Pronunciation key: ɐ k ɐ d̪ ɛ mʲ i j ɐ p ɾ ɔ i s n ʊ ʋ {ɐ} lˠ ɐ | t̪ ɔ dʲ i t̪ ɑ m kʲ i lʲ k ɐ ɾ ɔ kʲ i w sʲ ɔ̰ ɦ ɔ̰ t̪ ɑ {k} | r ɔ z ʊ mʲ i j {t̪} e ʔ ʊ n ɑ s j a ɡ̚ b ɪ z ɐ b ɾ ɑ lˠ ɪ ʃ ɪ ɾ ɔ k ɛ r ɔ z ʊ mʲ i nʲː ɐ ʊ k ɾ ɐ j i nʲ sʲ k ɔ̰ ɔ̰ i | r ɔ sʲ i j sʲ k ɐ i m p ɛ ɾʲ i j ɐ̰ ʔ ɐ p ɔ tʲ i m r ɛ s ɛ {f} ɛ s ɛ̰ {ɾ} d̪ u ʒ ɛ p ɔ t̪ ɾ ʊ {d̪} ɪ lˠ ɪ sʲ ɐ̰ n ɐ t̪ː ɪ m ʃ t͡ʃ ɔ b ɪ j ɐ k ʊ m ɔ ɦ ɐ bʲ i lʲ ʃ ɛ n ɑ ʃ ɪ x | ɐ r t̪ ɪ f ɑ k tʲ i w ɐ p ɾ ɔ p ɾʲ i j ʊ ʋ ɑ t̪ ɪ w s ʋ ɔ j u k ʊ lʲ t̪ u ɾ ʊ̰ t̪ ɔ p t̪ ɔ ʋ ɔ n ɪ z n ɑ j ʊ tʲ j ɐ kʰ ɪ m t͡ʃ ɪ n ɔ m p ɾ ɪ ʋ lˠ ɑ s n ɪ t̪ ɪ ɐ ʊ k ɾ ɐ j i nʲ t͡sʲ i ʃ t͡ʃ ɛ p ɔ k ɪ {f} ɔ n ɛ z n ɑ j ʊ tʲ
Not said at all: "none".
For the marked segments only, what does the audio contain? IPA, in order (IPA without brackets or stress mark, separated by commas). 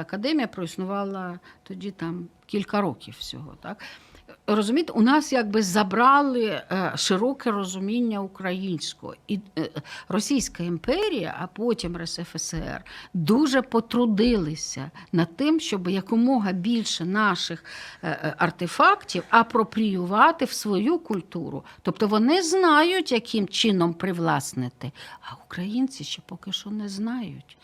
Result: ɑ, k, t̪, f, r, d̪, ʃ